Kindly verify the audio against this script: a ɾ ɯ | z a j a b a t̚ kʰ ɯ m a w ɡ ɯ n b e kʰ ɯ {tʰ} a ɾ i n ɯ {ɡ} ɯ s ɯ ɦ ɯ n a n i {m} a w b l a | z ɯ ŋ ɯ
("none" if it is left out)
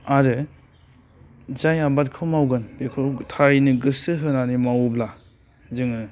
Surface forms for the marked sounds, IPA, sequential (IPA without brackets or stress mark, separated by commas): tʰ, ɡ, m